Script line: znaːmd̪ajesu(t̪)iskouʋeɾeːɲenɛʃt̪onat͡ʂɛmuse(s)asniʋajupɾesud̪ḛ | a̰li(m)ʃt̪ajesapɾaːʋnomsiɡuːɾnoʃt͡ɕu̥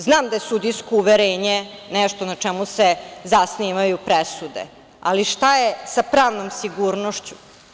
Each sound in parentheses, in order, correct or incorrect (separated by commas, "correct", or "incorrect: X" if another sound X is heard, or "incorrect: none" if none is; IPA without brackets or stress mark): incorrect: d̪, incorrect: z, incorrect: none